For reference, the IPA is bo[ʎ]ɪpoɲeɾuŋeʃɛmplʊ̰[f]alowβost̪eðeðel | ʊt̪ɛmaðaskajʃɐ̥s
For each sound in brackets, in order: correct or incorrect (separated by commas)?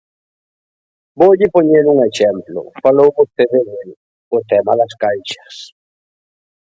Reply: correct, correct